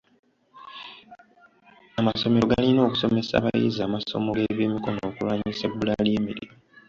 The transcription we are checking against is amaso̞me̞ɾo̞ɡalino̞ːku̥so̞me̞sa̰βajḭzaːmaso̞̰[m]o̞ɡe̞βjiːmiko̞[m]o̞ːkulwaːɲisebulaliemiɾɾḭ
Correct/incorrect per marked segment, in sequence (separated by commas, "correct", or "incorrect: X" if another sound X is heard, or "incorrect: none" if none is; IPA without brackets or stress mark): correct, incorrect: n